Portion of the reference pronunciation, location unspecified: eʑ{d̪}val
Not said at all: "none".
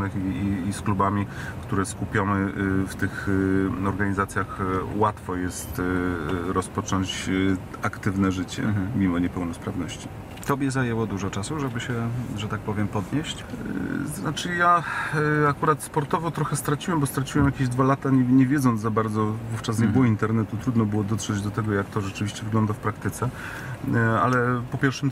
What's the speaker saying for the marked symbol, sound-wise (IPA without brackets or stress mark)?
d̪